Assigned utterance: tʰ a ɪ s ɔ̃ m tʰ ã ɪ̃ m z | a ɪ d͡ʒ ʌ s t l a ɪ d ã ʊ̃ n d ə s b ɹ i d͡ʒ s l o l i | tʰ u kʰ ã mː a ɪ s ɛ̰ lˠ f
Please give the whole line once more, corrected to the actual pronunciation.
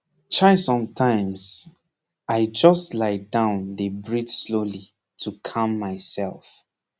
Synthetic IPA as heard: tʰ a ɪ s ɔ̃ m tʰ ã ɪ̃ m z | a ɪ d͡ʒ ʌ s t l a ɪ d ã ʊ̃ n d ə b ɹ i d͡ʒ s l o l i | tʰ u kʰ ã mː a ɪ s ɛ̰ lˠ f

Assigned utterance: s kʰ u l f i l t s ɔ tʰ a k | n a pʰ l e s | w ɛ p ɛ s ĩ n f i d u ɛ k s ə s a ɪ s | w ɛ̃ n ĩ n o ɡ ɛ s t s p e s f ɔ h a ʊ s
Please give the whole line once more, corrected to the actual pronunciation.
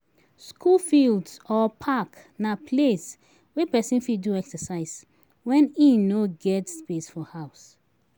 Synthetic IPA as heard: s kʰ u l f i l d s ɔ pʰ a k | n a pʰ l e s | w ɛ p ɛ s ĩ n f i d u ɛ k s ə s a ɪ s | w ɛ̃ n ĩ n o ɡ ɛ t s p e s f ɔ h a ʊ s

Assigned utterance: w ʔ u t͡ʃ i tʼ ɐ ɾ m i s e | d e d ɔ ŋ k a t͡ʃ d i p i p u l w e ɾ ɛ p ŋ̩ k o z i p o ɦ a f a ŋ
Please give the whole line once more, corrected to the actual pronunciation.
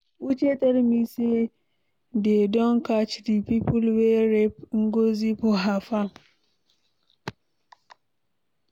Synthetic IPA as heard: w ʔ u t͡ʃ e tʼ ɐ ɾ m i s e | d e d ɔ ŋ k a t͡ʃ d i p i p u l w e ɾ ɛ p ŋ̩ ɡ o z i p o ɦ a f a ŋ

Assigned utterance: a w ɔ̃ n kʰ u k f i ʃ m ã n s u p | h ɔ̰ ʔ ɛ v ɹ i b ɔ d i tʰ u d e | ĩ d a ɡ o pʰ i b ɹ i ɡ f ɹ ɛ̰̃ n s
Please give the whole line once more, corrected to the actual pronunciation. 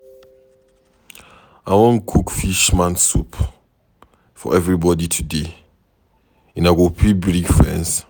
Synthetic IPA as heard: a w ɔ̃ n kʰ u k f i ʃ m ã n s u p | f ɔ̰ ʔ ɛ v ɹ i b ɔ d i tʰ u d e | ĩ n a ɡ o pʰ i b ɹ i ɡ f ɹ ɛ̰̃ n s

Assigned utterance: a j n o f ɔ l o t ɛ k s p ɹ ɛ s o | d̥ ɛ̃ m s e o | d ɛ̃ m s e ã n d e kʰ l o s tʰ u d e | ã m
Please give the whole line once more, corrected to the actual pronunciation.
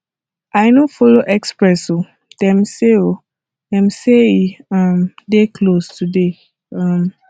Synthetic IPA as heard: a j n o f ɔ l o ʔ ɛ k s p ɹ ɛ s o | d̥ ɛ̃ m s e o | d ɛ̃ m s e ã m d e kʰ l o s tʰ u d e | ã m

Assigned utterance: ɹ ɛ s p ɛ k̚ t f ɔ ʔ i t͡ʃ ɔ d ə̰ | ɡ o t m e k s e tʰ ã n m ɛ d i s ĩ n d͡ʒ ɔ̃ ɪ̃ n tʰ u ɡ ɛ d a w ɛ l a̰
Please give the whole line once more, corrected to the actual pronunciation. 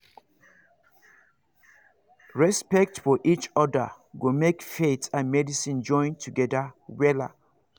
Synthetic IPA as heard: ɹ ɛ s p ɛ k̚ t f ɔ ʔ i t͡ʃ ɔ d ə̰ | ɡ o m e k f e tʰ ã n m ɛ d i s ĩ n d͡ʒ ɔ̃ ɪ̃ n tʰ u ɡ ɛ d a w ɛ l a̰

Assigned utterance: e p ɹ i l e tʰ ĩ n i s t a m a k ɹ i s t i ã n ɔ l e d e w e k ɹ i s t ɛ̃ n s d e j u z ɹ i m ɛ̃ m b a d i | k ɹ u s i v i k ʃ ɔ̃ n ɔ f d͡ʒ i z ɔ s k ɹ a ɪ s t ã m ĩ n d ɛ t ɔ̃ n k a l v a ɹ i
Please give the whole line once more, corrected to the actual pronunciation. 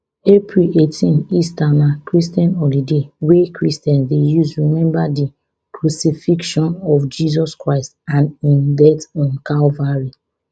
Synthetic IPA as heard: e p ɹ i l e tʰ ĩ n i s t a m a k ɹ i s t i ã n ɔ l i d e w e k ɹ i s t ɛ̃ n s d e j u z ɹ i m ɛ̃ m b a d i | k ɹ u s i f i k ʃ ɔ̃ n ɔ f d͡ʒ i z ɔ s k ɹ a ɪ s t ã n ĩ n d ɛ t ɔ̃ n k a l v a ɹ i

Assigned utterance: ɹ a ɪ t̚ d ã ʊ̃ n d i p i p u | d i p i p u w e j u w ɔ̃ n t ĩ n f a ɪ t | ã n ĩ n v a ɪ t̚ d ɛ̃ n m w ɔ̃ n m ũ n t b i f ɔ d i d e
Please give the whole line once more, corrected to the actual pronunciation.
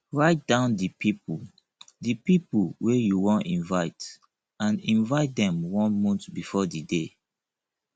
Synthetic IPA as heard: ɹ a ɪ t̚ d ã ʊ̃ n d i p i p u | d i p i p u w e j u w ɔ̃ n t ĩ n v a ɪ t | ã n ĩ n v a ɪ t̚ d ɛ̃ m w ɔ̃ n m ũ n t b i f ɔ d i d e

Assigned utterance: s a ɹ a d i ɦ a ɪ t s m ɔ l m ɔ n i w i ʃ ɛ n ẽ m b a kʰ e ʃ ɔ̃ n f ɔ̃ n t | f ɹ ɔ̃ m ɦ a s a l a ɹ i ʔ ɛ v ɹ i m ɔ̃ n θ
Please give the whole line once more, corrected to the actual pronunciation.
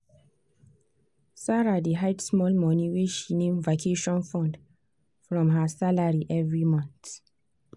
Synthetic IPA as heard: s a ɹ a d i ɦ a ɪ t s m ɔ l m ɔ n i w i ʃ i n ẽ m v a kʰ e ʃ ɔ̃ n f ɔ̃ n d | f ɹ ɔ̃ m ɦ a s a l a ɹ i ʔ ɛ v ɹ i m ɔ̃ n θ

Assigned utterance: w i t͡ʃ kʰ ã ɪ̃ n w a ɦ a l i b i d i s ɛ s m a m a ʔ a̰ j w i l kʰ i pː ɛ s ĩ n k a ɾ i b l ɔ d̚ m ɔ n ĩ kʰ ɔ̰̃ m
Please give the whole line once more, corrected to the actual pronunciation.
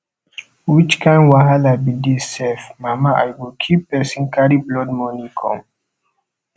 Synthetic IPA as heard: w i t͡ʃ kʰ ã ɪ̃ n w a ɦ a l a b i d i s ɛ f m a m a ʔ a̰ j w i l kʰ i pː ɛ s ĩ n k a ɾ i b l ɔ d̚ m ɔ n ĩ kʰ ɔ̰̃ m

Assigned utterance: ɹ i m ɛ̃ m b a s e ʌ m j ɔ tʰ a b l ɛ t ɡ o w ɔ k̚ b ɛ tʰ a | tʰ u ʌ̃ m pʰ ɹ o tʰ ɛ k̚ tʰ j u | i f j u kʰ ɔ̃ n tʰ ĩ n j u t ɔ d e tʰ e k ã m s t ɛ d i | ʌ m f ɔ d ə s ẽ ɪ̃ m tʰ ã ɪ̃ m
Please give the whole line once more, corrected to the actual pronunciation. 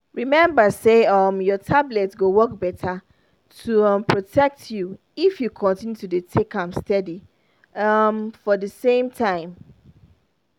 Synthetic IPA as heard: ɹ i m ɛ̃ m b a s e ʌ m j ɔ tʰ a b l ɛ t ɡ o w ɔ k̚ b ɛ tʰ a | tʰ u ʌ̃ m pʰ ɹ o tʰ ɛ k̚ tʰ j u | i f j u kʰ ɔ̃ n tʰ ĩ n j u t u d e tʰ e k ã m s t ɛ d i | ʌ m f ɔ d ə s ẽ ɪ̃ m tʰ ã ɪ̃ m

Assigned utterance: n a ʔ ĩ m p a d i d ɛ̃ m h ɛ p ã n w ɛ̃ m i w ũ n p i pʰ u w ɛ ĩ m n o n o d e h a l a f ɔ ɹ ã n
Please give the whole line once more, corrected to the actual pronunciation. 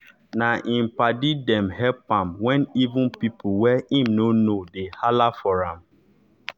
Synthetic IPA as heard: n a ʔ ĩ m p a d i d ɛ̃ m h ɛ p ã m w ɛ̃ n i v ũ n p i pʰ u w ɛ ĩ m n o n o d e h a l a f ɔ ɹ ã m

